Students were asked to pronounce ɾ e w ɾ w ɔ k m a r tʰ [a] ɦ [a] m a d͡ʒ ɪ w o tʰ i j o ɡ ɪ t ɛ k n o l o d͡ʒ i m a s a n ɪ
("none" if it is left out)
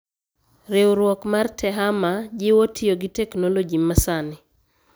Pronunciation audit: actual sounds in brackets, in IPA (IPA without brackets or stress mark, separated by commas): ɛ, a